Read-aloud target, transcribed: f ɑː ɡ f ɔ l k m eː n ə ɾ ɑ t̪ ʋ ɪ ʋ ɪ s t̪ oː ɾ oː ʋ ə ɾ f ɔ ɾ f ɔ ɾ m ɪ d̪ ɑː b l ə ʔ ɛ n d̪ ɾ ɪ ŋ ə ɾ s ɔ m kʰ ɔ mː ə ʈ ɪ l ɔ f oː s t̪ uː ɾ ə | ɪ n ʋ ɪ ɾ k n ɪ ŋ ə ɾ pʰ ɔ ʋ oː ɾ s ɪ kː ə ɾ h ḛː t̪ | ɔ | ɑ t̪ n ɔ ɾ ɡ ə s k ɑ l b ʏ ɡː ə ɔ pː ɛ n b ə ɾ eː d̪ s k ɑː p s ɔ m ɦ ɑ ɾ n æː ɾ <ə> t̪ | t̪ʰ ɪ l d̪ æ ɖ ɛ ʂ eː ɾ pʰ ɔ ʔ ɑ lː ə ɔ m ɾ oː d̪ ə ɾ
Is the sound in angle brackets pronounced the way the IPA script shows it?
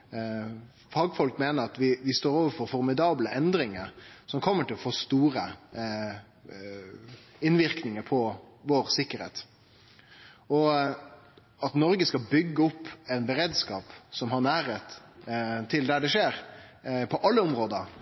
yes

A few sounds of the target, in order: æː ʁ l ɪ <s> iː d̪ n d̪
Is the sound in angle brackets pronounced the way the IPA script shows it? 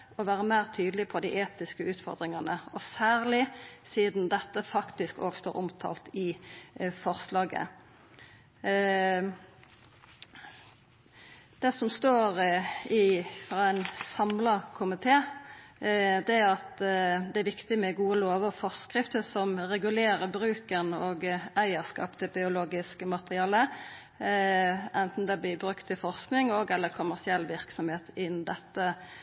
yes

